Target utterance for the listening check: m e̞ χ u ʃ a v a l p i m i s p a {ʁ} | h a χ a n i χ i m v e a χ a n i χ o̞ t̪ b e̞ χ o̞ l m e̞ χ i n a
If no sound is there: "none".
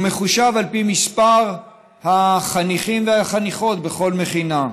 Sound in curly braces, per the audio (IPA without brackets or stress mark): ʁ